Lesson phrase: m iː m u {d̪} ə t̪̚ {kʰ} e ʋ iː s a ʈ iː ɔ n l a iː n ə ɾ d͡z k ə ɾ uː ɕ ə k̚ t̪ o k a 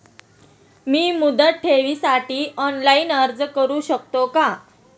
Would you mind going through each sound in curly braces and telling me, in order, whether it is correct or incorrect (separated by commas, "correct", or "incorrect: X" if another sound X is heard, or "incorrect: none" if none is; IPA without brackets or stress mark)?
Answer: correct, incorrect: ʈʰ